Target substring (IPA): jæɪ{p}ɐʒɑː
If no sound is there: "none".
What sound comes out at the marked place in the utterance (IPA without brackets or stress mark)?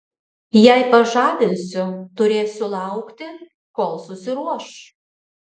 p